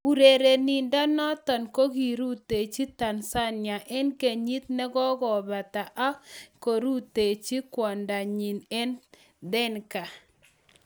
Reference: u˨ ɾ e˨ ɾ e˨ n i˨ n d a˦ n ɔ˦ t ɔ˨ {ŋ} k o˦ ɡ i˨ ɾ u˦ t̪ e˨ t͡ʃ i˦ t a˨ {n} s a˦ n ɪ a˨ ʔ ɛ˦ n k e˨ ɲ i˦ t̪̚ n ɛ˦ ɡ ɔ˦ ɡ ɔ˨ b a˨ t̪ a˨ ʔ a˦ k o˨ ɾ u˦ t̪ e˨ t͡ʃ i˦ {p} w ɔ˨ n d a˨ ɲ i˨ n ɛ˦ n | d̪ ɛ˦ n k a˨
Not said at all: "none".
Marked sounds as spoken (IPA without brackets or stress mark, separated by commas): n, n, k